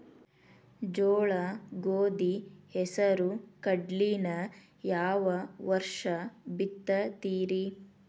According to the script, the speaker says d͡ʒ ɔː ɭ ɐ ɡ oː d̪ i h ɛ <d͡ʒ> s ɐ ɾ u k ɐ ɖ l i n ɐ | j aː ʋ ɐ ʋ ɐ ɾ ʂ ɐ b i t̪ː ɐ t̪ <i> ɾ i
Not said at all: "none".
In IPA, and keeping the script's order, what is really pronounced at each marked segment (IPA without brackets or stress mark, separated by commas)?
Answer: none, iː